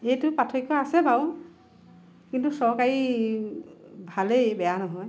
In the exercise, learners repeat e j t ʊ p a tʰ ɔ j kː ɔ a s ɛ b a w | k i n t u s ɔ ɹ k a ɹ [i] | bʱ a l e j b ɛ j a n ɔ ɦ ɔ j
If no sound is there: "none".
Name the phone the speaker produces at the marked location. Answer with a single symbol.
i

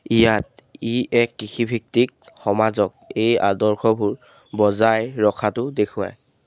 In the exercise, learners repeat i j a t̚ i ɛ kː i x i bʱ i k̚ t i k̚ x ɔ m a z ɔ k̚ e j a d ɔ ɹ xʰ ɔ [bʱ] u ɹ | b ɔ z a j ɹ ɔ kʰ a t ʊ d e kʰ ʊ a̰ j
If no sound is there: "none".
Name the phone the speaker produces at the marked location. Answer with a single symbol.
bʱ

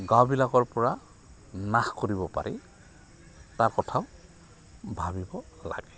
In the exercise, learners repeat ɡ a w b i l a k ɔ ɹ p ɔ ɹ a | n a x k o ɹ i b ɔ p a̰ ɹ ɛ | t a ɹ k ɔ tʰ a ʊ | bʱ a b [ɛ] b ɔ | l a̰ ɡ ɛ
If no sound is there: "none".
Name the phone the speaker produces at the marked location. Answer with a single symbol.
i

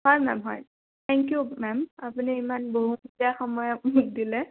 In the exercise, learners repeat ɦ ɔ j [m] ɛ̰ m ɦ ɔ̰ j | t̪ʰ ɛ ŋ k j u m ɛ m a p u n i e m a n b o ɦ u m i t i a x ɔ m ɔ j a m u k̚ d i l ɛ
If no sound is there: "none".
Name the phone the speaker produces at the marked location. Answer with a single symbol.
m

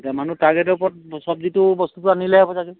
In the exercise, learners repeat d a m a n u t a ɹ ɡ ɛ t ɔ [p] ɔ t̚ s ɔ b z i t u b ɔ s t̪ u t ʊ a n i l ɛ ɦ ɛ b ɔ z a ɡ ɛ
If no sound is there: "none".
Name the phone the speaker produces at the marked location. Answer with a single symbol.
p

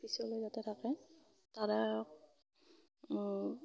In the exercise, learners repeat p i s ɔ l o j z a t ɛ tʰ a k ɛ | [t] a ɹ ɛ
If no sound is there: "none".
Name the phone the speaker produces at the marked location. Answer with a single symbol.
t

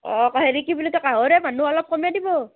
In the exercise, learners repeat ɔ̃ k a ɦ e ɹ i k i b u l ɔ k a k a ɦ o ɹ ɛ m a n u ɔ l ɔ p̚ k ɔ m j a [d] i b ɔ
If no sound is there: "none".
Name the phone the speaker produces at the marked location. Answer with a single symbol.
d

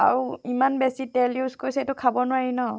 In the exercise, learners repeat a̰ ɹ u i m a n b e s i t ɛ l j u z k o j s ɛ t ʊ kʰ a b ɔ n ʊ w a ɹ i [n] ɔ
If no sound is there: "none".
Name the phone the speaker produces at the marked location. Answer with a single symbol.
n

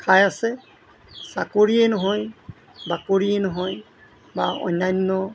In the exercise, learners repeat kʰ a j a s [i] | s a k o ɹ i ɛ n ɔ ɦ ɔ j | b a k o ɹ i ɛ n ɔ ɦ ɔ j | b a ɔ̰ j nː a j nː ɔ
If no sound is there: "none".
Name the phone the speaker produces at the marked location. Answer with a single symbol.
ɛ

